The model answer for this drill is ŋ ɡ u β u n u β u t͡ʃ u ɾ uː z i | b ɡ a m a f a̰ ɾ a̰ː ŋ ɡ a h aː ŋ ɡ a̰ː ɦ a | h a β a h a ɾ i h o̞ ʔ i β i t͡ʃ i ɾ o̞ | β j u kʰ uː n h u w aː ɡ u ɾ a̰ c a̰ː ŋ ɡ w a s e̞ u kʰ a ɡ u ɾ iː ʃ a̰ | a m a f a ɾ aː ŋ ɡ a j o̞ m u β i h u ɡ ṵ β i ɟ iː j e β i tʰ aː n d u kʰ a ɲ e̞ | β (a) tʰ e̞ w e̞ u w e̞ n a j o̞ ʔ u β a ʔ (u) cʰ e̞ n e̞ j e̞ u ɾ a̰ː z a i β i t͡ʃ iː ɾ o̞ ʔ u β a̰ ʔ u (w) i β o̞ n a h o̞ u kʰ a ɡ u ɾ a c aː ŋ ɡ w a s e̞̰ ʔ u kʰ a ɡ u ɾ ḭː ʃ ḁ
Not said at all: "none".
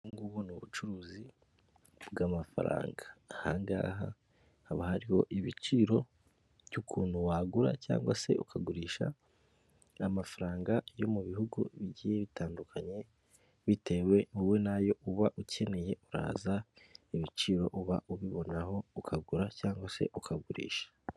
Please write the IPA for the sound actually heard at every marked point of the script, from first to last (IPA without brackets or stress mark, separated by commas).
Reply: i, u, β